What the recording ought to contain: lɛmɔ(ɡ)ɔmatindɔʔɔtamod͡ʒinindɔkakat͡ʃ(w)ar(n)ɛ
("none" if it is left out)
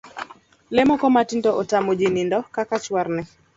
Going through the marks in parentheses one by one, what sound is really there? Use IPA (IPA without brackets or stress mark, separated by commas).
k, w, n